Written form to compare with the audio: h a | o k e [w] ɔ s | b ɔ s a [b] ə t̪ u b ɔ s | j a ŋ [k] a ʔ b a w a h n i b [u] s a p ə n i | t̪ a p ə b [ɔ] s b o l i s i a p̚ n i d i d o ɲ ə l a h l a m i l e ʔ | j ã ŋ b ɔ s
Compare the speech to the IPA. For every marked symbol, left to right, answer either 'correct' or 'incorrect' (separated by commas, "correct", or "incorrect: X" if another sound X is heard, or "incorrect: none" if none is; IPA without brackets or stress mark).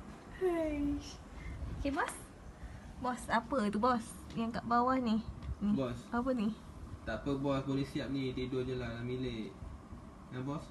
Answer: incorrect: b, incorrect: p, correct, incorrect: ɔ, correct